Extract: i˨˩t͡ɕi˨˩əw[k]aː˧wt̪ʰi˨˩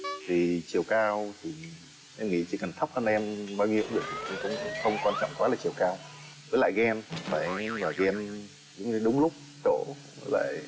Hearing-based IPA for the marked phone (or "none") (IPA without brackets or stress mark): k